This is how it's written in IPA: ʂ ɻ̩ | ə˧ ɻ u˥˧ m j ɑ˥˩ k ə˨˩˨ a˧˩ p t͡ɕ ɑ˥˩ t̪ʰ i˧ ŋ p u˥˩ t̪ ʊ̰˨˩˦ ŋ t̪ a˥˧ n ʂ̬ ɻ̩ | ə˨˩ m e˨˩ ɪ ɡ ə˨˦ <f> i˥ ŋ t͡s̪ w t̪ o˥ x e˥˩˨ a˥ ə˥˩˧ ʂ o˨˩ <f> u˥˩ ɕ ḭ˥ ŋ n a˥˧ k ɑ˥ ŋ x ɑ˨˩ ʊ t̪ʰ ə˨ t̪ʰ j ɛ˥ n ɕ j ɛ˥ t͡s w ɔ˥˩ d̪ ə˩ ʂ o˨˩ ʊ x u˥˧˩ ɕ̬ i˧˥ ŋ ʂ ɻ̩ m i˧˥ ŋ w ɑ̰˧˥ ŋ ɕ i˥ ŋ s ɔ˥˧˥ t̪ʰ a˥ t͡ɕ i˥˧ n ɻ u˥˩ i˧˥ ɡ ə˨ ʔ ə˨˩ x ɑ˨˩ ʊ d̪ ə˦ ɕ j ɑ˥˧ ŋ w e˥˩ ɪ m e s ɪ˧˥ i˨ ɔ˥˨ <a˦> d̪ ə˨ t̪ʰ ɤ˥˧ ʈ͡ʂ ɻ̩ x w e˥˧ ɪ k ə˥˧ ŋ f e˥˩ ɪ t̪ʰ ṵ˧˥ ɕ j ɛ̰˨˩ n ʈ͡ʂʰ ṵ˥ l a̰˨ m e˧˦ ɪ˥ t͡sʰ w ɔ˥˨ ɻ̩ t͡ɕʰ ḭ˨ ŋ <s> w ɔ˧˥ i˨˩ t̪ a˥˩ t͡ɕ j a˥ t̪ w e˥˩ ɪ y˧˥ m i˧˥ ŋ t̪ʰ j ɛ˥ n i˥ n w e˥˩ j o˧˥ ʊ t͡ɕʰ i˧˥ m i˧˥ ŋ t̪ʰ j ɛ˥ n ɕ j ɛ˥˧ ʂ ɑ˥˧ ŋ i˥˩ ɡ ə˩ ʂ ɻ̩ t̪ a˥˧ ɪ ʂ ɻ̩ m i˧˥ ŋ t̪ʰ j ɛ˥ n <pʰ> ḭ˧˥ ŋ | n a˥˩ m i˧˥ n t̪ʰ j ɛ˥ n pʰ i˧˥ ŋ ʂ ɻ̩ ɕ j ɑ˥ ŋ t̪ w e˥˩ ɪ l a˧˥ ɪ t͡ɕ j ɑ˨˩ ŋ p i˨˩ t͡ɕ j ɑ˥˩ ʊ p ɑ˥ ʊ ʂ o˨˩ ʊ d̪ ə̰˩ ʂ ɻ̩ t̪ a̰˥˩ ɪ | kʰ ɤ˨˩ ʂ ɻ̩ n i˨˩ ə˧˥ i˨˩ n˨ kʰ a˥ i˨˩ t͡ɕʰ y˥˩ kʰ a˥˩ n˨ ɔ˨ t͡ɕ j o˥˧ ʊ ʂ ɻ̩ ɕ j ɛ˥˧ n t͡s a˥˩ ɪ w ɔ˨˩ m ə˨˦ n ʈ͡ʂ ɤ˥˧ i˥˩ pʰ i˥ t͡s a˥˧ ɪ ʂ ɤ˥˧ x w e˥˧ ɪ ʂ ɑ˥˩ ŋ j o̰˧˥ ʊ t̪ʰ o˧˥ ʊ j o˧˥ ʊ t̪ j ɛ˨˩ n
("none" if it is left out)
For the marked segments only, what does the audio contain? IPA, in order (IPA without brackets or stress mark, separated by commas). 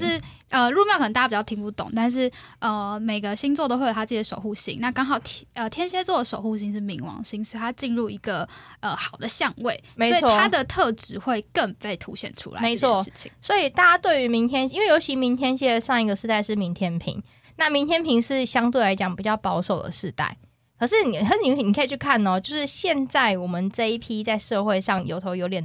ɕ, x, a˦, s, pʰ